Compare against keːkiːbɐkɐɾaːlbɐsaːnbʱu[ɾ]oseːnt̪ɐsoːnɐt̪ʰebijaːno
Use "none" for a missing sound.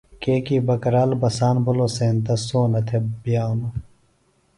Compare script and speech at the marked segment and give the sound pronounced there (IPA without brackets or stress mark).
l